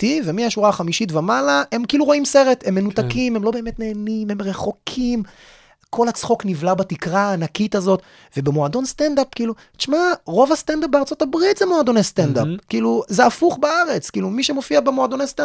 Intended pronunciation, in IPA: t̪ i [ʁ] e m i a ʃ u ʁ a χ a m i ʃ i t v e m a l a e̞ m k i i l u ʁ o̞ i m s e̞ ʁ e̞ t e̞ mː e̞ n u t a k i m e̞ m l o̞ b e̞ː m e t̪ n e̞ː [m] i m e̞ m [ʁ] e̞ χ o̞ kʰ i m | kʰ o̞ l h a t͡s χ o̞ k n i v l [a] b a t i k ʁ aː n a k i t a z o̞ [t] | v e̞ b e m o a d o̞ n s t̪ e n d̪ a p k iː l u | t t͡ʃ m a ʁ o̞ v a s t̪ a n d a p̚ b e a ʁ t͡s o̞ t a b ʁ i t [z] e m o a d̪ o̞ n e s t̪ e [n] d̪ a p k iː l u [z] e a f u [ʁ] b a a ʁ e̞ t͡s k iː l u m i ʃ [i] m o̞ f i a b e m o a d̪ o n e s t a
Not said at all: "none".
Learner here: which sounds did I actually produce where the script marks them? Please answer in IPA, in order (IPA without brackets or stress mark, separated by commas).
v, n, ʁ, a, t, z, n, z, χ, e